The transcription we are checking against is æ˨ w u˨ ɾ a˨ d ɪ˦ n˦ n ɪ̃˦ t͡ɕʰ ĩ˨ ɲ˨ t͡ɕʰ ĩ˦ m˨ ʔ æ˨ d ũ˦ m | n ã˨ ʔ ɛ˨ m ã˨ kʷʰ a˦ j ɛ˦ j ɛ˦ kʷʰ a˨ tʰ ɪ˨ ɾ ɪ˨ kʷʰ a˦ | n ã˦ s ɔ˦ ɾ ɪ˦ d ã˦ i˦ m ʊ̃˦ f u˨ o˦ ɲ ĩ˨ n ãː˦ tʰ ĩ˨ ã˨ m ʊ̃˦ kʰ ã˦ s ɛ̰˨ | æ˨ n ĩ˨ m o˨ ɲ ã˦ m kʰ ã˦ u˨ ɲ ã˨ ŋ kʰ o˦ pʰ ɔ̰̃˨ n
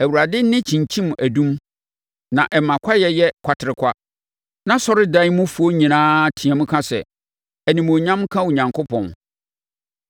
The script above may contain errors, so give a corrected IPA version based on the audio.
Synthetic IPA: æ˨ w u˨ ɾ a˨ d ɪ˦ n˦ n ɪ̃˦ t͡ɕʰ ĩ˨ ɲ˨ t͡ɕʰ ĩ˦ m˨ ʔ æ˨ d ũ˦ m | n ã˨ ʔ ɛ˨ m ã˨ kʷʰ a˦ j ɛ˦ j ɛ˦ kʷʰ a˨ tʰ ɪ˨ ɾ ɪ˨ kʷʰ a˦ | n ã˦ s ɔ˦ ɾ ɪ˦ d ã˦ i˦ m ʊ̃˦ f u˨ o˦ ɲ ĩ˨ n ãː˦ tʰ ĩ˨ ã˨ m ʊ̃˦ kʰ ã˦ s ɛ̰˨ | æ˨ n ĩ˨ m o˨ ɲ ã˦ m kʰ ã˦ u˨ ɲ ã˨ ŋ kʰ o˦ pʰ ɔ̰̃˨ n